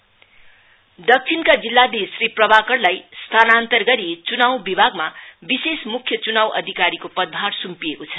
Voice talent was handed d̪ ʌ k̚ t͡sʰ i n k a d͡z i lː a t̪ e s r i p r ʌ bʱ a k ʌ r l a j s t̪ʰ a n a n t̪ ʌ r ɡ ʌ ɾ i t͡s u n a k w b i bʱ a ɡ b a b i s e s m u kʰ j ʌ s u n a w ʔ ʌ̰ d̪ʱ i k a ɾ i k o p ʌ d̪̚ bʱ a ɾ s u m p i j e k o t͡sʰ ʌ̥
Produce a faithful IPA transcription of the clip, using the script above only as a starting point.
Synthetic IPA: d̪ ʌ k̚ t͡sʰ i n k a d͡z i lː a d̪ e s r i p r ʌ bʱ a k ʌ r l a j s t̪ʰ a n a n t̪ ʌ r ɡ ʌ ɾ i t͡s u n a w b i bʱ a ɡ m a b i s e s m u kʰ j ʌ t͡s u n a w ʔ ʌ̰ d̪ʱ i k a ɾ i k o p ʌ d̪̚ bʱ a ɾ s u m p i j e k o t͡sʰ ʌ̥